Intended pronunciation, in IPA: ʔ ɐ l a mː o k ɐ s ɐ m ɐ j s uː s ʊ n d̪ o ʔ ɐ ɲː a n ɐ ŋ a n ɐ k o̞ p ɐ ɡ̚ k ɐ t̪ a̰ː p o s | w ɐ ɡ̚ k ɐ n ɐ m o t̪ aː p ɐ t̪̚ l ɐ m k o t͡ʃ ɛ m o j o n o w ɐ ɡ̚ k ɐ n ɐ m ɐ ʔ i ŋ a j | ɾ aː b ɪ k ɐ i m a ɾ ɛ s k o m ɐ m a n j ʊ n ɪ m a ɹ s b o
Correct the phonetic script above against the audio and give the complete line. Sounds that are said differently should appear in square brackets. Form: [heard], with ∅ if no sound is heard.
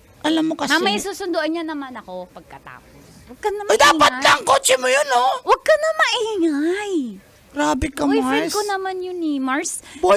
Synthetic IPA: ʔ ɐ l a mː o k ɐ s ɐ m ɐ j s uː s ʊ n d̪ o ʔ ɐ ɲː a n ɐ [m] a n ɐ k o̞ p ɐ ɡ̚ k ɐ t̪ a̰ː p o s | w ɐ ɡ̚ k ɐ n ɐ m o [d̪] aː p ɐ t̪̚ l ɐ [ŋ] k o t͡ʃ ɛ m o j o n o w ɐ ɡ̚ k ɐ n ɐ m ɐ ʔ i ŋ a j | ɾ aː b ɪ k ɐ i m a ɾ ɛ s k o [n] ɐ m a n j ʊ n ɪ m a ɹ s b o